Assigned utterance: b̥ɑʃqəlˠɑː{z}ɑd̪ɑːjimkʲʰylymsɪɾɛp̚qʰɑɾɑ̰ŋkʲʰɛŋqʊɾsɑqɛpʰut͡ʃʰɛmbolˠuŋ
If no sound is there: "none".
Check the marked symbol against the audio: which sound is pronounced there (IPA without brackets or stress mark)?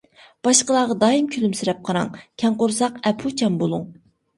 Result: ʁ